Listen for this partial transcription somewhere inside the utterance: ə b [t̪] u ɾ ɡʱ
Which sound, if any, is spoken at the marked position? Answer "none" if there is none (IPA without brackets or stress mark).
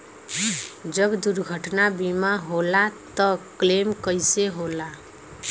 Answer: d̪